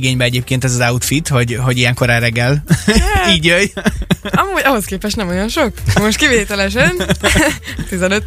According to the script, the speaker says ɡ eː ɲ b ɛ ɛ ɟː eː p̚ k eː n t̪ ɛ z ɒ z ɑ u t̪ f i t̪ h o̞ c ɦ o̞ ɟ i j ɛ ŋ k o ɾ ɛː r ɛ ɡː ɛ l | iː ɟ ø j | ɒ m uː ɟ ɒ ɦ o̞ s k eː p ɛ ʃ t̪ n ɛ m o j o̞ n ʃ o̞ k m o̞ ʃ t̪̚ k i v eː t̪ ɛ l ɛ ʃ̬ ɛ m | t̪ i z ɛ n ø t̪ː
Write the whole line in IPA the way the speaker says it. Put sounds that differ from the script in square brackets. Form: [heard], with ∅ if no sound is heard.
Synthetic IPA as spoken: ɡ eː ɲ b ɛ ɛ [ɟ] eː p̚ k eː n t̪ ɛ z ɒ z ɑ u t̪ f i t̪ h o̞ [ɟ] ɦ o̞ ɟ i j ɛ ŋ k o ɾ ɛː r ɛ ɡː ɛ l | iː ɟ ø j | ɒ m uː ɟ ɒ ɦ o̞ s k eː p ɛ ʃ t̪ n ɛ m o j o̞ n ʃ o̞ k m o̞ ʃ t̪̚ k i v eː t̪ ɛ l ɛ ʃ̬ ɛ [n] | t̪ i z ɛ n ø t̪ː